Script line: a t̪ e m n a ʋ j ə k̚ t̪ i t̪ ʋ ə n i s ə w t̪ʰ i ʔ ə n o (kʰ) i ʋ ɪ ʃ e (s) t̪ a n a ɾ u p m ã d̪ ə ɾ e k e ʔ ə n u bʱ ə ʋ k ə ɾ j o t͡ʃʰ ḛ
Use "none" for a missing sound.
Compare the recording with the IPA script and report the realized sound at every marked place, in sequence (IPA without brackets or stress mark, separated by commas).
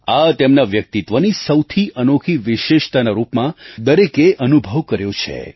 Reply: kʰ, ʃ